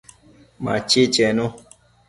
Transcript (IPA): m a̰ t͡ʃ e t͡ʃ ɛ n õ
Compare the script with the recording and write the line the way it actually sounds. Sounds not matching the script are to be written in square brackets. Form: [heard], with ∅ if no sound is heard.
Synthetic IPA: m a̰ t͡ʃ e t͡ʃ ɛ n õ